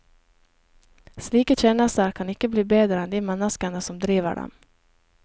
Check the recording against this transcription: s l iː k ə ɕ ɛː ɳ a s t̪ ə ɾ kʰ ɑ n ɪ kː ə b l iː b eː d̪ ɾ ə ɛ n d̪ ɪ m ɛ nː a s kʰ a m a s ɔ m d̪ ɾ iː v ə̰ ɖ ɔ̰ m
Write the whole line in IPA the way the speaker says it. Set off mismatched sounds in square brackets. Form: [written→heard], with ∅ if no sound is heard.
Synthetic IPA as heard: s l iː k ə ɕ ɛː [ɳ→n] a s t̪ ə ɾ kʰ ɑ n ɪ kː ə b l iː b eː d̪ ɾ ə ɛ n d̪ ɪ m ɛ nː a s [kʰ→k] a [m→ɳ] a s ɔ m d̪ ɾ iː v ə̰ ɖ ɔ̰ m

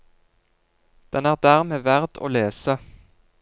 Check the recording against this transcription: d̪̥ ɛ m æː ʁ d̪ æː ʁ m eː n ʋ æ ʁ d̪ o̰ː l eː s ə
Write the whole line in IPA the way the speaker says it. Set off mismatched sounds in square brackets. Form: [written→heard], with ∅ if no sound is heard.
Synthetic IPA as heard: d̪̥ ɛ [m→n] æː ʁ d̪ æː ʁ m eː [n→∅] ʋ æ ʁ d̪ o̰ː l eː s ə

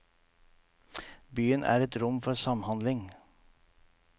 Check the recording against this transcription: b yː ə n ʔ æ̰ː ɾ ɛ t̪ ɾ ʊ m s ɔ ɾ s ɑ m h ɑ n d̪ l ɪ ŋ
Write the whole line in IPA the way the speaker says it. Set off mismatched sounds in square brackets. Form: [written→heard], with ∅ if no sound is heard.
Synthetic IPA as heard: b yː ə n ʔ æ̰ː ɾ ɛ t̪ ɾ ʊ m [s→f] ɔ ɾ s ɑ m h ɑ n d̪ l ɪ ŋ

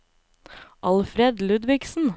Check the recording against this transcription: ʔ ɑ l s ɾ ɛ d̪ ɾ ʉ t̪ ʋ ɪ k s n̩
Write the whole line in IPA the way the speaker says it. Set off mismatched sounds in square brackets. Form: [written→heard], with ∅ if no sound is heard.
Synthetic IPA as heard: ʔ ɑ l [s→f] ɾ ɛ d̪ [ɾ→l] ʉ [t̪→d̪] ʋ ɪ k s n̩

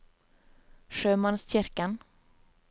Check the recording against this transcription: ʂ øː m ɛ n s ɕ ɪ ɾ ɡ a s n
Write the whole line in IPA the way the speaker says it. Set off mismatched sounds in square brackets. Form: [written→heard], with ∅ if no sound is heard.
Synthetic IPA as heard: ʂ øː m [ɛ→a] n s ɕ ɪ ɾ [ɡ→k] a [s→∅] n

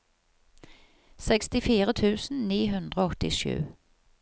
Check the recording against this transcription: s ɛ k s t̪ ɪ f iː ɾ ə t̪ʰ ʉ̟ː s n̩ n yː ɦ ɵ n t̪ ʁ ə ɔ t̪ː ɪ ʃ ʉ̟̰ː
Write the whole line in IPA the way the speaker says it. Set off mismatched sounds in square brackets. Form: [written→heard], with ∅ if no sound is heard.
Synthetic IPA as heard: s ɛ k s t̪ ɪ f iː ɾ ə t̪ʰ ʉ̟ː s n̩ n [yː→iː] ɦ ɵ n [t̪→d̪] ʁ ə ɔ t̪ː ɪ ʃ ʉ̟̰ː

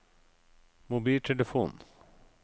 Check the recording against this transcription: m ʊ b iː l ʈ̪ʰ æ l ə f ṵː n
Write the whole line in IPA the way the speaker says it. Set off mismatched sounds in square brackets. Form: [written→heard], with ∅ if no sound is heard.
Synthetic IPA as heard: m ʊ b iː l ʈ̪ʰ [æ→ɛ] l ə f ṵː n

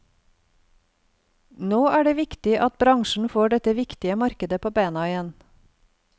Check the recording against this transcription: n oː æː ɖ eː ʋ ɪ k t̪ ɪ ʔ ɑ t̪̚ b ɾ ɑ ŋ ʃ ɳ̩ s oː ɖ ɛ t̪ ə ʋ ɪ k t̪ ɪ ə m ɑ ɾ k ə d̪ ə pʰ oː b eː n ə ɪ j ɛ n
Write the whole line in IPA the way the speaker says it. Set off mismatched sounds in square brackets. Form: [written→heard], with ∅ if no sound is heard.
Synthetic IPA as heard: n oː æː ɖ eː ʋ ɪ k t̪ ɪ ʔ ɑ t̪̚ b ɾ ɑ ŋ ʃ ɳ̩ [s→f] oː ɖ ɛ t̪ ə ʋ ɪ k t̪ ɪ ə m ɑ ɾ k ə d̪ ə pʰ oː b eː n [ə→ɑ] ɪ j ɛ n

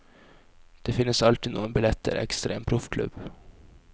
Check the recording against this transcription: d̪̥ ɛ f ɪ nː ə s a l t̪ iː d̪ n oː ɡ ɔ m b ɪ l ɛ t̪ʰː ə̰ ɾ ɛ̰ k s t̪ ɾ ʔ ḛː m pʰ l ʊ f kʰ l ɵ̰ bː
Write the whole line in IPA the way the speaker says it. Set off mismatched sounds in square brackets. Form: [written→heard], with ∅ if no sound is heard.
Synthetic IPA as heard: d̪̥ ɛ f ɪ nː ə s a l t̪ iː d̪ n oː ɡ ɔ [m→n] b ɪ l ɛ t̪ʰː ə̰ ɾ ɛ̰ k s t̪ ɾ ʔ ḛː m pʰ [l→ɾ] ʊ f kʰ l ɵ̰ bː

